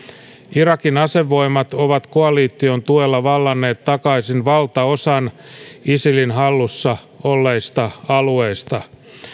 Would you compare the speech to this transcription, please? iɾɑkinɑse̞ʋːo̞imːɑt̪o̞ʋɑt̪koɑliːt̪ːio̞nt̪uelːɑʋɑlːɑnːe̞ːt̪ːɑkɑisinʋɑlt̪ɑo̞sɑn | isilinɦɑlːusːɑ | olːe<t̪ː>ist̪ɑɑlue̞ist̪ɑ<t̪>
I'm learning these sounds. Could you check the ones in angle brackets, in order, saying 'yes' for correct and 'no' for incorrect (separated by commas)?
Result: no, no